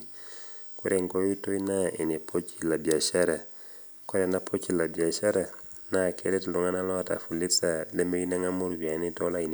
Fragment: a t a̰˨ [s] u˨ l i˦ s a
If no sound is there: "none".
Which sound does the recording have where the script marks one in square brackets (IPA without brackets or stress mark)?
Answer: f